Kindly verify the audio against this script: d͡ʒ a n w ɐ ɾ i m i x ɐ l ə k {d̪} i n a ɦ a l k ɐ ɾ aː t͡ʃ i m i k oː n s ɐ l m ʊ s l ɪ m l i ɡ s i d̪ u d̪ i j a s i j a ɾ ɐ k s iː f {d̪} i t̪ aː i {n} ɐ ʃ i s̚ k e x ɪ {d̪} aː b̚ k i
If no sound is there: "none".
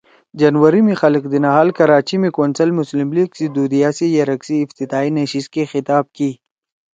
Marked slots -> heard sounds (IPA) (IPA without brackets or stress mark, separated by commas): d̪, t̪, n, t̪